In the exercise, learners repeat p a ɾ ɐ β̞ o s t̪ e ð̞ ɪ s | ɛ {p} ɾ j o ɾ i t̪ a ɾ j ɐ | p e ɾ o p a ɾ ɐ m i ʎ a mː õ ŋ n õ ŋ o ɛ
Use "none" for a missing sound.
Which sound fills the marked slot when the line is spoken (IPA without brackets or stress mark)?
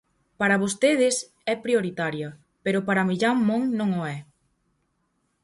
p